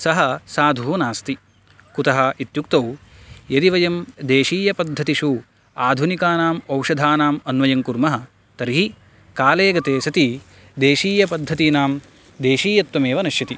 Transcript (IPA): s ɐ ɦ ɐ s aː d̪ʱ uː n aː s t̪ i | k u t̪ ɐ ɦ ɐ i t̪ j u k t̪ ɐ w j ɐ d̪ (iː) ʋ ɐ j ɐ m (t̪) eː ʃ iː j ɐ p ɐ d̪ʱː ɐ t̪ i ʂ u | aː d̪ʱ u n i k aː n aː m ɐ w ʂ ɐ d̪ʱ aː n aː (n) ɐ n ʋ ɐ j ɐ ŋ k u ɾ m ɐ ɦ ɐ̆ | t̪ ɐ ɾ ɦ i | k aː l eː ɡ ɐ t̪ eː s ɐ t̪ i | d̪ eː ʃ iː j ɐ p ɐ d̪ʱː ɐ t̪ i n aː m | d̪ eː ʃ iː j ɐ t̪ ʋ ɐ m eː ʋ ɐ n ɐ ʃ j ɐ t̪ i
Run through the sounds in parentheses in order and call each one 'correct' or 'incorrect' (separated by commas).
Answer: incorrect, incorrect, incorrect